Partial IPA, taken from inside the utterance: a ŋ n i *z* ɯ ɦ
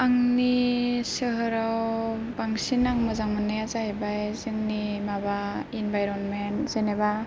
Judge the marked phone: incorrect: s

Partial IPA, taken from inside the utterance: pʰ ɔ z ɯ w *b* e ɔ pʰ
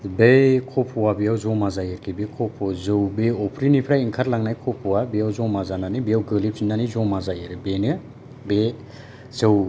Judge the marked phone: correct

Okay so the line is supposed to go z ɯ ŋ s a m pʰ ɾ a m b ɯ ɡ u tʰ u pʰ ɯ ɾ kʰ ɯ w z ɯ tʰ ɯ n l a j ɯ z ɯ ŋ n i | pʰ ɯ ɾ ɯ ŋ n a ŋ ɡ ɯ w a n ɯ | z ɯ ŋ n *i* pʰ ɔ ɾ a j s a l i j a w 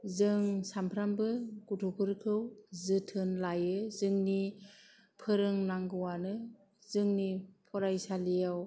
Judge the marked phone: correct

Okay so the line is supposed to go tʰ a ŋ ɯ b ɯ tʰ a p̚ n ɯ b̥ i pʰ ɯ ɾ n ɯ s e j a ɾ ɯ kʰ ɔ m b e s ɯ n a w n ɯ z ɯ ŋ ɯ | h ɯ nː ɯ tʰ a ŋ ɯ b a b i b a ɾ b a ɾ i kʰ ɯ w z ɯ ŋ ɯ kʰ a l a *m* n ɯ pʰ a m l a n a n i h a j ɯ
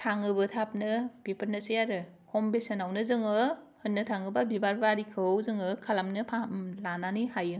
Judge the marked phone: correct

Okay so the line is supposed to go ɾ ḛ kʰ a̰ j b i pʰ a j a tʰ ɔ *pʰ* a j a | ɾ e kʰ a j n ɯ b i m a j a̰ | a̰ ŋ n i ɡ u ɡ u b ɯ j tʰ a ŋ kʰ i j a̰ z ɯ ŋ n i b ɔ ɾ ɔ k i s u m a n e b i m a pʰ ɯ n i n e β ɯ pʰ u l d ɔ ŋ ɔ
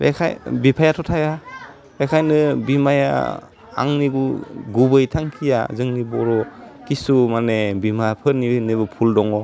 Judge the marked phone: incorrect: tʰ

